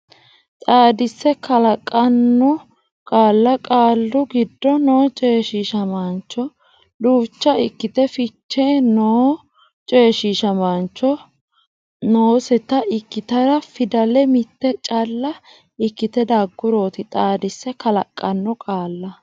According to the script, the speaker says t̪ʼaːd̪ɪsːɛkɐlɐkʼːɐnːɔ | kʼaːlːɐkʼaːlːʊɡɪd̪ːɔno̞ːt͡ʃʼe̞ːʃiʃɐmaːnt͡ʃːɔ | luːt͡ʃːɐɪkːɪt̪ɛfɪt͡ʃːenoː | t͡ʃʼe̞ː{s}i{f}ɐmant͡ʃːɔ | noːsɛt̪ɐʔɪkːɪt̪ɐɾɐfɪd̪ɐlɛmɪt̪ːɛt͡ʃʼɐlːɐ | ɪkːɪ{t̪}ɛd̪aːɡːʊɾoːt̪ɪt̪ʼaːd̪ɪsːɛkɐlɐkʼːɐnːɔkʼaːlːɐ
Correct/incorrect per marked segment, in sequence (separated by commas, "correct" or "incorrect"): incorrect, incorrect, correct